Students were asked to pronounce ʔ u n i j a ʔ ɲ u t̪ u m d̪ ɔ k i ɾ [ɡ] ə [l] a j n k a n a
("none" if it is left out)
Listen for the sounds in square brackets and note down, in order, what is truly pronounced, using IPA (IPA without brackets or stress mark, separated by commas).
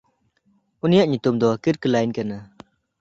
k, l